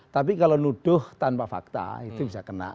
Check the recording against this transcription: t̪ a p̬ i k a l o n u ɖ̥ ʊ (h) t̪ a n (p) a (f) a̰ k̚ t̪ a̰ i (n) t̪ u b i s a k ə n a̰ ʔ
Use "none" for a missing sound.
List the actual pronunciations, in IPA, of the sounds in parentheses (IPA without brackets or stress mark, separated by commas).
h, p, f, none